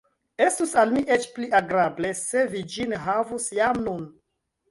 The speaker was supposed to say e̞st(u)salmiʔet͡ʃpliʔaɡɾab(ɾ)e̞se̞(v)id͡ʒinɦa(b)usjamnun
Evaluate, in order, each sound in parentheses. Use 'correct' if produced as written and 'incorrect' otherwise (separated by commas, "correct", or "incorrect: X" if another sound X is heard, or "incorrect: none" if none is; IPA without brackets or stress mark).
correct, incorrect: l, correct, incorrect: v